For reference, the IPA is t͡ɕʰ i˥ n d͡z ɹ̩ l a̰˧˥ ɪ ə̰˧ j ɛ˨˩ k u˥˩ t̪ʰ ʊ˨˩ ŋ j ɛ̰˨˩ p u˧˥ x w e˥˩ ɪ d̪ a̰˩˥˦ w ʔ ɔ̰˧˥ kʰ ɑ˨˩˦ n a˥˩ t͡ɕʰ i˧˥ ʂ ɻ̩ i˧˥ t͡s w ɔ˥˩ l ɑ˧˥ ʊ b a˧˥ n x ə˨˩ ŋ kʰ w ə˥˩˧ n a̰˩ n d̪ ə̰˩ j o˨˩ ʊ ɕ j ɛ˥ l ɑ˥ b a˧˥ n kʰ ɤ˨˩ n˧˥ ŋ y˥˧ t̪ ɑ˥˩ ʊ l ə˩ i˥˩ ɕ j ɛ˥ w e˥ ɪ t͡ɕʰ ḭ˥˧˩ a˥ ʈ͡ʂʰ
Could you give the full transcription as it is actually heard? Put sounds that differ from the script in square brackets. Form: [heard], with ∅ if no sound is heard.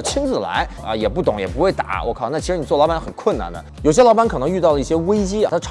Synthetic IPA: t͡ɕʰ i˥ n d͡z ɹ̩ l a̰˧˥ ɪ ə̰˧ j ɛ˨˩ [p] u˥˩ [t̪] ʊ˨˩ ŋ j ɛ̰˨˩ p u˧˥ x w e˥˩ ɪ [t̪] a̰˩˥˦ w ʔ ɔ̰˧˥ kʰ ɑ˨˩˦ n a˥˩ t͡ɕʰ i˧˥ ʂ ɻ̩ [i˨˩] t͡s w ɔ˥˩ l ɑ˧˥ ʊ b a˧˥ n x ə˨˩ [n] kʰ w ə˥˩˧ n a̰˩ n d̪ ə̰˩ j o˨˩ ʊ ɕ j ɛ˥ l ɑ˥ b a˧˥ n kʰ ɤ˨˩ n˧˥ ŋ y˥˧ t̪ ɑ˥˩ ʊ l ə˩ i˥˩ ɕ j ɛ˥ w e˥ ɪ [t͡ɕ] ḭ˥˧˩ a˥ ʈ͡ʂʰ